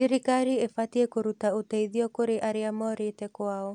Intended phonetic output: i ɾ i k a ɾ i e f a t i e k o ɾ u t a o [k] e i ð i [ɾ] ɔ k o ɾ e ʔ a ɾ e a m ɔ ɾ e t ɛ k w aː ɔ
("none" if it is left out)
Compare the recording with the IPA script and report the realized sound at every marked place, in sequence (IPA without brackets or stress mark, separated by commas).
t, none